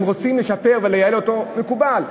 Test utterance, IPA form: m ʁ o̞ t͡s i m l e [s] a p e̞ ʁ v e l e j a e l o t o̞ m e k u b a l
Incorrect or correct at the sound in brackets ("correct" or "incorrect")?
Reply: incorrect